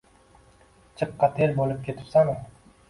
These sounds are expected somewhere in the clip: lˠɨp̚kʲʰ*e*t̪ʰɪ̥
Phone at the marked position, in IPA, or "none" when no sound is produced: e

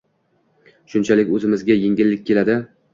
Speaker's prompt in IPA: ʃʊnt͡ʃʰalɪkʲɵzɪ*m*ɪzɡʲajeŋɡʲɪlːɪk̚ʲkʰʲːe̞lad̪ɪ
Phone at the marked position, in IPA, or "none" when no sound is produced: m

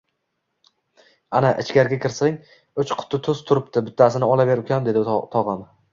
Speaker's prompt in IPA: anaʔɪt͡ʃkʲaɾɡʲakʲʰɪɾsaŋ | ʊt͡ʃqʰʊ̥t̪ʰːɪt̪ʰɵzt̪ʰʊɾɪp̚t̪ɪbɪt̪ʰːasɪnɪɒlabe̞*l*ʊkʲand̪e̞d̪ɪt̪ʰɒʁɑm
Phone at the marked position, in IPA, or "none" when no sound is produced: ɾ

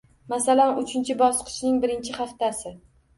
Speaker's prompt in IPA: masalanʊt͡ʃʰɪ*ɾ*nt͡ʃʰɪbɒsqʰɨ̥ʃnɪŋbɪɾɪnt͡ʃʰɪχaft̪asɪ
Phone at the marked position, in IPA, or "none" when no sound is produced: none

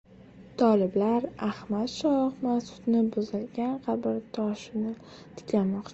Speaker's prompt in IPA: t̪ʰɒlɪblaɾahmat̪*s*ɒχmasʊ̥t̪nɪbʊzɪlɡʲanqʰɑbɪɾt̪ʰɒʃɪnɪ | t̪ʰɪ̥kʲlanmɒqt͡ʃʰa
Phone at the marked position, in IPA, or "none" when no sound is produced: ʃ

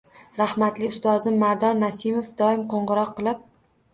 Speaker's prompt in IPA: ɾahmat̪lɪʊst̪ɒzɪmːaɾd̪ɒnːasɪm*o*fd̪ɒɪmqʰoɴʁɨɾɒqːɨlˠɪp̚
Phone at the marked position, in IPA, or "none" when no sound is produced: o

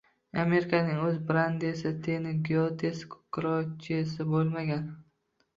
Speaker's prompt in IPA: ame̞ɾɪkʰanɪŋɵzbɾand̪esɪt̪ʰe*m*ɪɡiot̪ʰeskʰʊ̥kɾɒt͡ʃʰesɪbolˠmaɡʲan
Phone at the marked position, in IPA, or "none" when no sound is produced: n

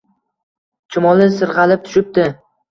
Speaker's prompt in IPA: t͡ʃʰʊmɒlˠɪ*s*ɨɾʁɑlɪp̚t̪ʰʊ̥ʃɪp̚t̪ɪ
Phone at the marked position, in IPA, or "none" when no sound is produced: s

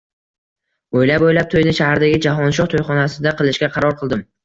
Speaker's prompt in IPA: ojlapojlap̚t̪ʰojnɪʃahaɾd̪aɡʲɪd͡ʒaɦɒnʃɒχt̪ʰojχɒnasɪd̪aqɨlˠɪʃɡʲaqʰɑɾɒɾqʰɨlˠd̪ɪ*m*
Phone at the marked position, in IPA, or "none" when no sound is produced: m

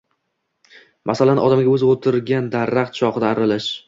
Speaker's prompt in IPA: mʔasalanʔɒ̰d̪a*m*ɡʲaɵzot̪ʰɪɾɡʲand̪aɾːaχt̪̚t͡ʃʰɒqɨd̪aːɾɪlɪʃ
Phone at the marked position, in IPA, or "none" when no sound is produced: m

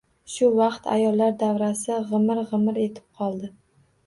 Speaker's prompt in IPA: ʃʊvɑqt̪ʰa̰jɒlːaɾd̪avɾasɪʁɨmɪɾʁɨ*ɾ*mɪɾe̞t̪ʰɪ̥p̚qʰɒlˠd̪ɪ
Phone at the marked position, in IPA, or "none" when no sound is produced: none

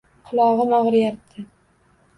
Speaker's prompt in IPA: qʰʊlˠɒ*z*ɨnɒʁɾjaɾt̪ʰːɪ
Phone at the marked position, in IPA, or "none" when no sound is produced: ʁ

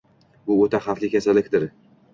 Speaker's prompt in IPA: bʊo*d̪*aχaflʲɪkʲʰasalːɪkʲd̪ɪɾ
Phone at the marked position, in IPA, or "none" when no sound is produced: t̪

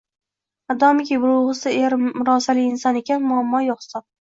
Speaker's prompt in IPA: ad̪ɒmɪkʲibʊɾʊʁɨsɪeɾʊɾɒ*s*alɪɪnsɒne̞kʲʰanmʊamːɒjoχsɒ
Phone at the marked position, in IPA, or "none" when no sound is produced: s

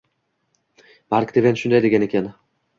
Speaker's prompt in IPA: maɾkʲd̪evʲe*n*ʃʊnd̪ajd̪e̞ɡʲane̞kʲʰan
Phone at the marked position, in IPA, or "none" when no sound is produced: n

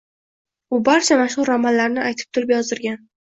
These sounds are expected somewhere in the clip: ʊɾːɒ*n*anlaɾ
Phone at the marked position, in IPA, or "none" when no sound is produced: m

